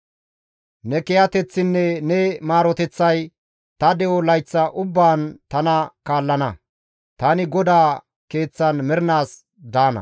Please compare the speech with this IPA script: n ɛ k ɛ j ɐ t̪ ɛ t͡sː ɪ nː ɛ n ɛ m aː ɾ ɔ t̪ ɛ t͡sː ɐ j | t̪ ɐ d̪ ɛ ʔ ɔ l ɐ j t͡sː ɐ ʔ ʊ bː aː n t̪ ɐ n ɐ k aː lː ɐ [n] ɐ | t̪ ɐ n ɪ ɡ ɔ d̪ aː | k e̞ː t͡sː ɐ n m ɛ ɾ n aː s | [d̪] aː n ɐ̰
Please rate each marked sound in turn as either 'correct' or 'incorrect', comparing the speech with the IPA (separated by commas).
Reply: correct, correct